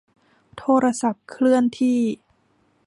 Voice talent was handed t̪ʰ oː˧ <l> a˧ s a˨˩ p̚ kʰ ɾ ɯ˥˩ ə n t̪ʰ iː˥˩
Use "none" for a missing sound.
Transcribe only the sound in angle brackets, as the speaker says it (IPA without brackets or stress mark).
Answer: ɾ